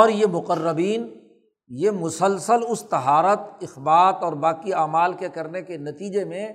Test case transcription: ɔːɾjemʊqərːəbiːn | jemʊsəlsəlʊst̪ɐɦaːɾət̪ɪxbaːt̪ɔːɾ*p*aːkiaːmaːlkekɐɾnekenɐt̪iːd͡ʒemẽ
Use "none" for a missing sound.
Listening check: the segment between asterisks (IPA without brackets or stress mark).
b